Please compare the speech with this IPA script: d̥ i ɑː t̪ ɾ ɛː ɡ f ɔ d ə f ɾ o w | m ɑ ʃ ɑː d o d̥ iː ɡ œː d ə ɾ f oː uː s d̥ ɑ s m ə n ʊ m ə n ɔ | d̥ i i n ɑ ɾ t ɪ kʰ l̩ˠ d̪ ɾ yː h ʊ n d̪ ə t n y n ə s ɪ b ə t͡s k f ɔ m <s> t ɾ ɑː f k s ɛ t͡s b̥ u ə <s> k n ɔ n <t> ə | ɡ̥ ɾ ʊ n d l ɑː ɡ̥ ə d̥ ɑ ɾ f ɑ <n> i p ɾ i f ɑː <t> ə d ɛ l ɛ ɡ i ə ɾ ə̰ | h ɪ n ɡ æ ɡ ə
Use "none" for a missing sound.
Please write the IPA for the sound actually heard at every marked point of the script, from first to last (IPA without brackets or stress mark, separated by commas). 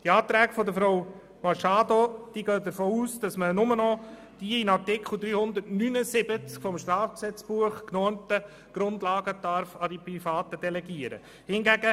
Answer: ʃ, χ, t, d, t